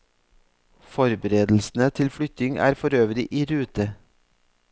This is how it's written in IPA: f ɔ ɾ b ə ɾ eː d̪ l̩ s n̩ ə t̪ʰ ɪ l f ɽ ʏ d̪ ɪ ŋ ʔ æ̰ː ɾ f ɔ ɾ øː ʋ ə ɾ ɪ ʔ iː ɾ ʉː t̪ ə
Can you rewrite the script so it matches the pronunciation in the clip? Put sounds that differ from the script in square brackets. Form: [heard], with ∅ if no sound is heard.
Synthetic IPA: f ɔ ɾ b ə ɾ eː d̪ l̩ s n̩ ə t̪ʰ ɪ l f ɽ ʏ [t̪] ɪ ŋ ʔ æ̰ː ɾ f ɔ ɾ øː ʋ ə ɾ ɪ ʔ iː ɾ ʉː t̪ ə